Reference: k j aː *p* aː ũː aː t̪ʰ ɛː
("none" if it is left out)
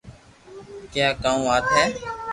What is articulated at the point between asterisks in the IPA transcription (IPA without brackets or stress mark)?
k